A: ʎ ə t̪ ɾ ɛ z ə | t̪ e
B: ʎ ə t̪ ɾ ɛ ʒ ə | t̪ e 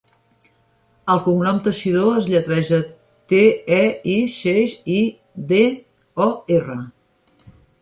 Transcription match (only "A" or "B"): B